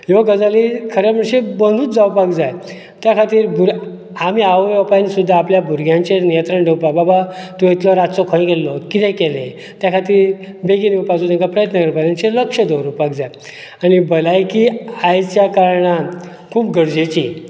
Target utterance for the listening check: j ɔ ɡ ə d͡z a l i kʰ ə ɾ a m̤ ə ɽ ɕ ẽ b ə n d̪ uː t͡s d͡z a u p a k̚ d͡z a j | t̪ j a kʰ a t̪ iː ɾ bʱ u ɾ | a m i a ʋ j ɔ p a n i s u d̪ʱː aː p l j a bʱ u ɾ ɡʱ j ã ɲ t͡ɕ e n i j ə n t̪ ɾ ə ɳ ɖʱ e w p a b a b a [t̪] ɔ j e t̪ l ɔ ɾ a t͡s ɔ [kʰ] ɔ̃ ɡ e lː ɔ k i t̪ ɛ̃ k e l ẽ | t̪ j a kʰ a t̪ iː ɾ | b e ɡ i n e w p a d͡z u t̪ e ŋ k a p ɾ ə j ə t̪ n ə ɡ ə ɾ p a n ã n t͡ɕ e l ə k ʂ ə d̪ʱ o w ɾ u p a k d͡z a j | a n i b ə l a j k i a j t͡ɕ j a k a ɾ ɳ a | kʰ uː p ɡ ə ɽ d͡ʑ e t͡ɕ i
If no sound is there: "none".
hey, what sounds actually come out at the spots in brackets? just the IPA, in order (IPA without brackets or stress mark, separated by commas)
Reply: t̪, kʰ